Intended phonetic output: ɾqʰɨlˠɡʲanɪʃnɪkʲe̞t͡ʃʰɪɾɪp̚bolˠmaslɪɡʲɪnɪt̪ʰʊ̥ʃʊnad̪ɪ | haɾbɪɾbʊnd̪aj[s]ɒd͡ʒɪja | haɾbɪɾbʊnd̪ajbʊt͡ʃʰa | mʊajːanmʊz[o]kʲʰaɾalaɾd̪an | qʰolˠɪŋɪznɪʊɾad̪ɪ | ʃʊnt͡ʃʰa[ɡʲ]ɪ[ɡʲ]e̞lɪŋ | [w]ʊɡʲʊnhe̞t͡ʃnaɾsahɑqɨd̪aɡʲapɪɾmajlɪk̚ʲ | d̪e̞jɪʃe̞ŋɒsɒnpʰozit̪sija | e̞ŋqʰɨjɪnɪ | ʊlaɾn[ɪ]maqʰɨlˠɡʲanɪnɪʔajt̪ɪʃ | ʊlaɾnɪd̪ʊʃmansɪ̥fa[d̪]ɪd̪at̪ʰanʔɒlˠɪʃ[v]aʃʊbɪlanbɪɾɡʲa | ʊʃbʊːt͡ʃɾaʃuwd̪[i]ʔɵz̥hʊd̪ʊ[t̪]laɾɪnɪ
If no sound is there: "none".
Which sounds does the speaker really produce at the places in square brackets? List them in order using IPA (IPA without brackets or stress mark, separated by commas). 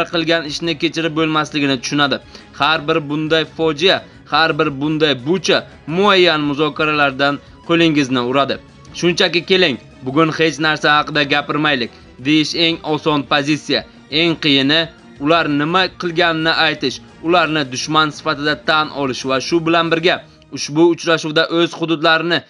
f, ɒ, kʲ, kʲ, b, ɪ, t̪, v, a, d̪